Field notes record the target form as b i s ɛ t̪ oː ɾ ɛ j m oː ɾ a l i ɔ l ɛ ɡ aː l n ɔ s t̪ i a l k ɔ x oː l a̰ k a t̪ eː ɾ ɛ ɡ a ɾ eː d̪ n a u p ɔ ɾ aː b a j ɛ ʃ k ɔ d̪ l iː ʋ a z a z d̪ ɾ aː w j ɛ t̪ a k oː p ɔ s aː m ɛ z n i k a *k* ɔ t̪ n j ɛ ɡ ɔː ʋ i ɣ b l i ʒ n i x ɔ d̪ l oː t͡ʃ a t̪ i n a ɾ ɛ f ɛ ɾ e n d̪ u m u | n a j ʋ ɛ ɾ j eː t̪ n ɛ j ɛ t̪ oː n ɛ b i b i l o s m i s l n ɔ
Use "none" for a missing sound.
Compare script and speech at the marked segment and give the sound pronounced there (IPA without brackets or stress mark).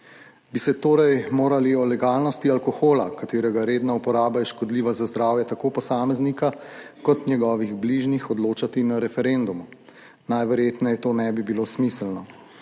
k